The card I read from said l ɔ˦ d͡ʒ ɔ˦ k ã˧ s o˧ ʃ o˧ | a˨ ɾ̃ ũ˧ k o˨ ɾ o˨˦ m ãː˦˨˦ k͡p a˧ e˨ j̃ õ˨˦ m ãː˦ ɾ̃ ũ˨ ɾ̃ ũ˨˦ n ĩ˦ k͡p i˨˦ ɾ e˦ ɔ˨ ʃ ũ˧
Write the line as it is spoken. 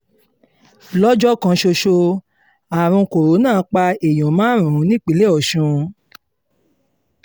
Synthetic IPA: l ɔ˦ d͡ʒ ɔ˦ k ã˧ ʃ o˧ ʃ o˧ | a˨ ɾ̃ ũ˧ k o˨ ɾ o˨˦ n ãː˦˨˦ k͡p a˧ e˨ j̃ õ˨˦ m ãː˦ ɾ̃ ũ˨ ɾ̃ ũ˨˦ n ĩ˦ k͡p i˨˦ l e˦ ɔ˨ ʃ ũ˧